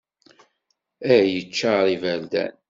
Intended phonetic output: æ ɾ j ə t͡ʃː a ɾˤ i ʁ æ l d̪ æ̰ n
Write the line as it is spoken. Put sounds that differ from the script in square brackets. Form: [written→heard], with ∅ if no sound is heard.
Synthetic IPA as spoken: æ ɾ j ə t͡ʃː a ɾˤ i [ʁ→v] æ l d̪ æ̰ n